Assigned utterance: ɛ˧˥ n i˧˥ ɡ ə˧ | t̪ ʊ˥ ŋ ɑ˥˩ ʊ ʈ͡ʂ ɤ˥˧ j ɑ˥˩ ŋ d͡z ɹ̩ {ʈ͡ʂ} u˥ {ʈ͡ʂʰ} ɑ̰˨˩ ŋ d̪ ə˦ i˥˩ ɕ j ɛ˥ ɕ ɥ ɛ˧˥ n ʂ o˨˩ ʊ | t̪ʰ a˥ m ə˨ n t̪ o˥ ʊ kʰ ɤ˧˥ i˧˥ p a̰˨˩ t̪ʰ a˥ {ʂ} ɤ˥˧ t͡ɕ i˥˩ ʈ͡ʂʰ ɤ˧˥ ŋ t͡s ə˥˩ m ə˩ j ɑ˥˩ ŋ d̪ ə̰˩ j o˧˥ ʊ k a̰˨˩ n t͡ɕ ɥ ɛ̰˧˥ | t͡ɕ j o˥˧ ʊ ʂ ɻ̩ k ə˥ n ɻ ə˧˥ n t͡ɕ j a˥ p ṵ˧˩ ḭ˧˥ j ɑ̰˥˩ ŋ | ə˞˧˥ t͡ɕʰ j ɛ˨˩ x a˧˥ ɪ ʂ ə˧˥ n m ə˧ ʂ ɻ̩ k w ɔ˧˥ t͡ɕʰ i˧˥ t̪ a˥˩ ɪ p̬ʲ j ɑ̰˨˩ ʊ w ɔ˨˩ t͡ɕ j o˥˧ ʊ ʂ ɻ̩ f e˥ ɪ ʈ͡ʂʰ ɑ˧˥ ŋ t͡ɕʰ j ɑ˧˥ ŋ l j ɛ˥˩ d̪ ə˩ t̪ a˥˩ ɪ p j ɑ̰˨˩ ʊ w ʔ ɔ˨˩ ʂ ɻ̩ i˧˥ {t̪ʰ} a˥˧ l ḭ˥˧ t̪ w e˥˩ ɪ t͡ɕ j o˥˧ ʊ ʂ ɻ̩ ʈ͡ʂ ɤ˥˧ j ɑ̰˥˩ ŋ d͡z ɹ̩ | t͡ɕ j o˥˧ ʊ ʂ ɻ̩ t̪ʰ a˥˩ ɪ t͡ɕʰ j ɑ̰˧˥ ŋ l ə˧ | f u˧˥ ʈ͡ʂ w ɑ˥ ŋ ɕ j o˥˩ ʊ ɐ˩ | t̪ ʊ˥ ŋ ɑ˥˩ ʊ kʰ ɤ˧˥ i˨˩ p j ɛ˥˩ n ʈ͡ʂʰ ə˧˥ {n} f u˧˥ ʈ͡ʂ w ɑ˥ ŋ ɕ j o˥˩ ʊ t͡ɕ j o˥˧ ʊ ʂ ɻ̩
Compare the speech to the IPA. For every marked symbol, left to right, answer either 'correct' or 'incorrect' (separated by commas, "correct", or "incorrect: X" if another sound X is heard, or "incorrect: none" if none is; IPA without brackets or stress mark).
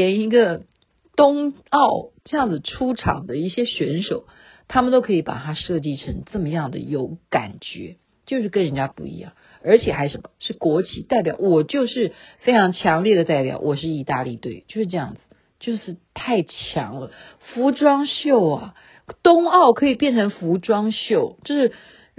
incorrect: ʈ͡ʂʰ, correct, correct, incorrect: t̪, incorrect: ŋ